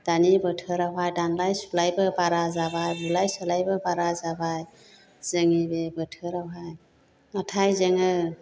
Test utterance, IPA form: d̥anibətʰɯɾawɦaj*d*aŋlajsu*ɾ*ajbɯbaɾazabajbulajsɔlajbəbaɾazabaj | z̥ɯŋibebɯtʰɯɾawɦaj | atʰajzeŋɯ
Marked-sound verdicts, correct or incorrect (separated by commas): correct, incorrect